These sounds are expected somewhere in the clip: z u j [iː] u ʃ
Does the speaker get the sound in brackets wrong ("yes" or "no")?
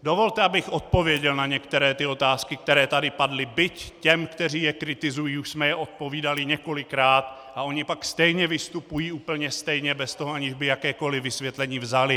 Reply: no